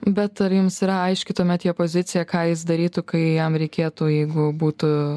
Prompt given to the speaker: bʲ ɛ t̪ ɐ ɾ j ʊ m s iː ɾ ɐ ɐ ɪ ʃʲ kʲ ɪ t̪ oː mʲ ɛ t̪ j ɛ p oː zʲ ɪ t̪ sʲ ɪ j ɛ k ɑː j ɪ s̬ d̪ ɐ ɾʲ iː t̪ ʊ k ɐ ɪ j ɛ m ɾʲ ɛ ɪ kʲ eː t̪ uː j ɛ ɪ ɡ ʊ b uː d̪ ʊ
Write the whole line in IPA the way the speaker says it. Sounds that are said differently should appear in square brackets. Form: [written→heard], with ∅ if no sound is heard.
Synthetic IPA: bʲ ɛ t̪ ɐ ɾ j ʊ m s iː ɾ ɐ ɐ ɪ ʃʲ kʲ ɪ t̪ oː mʲ ɛ t̪ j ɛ p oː zʲ ɪ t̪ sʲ ɪ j ɛ k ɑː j ɪ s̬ d̪ ɐ ɾʲ iː t̪ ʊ k ɐ ɪ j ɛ m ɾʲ ɛ ɪ kʲ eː t̪ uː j ɛ ɪ ɡ ʊ b uː [d̪→t̪] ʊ